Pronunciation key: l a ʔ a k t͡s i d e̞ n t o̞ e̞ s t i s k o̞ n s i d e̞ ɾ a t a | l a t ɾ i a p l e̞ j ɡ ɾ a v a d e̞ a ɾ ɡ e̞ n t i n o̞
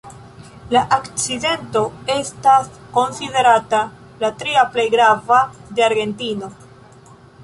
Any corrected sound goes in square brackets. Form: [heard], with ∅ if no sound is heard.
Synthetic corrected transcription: l a ʔ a k t͡s i d e̞ n t o̞ e̞ s t [a] s k o̞ n s i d e̞ ɾ a t a | l a t ɾ i a p l e̞ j ɡ ɾ a v a d e̞ a ɾ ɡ e̞ n t i n o̞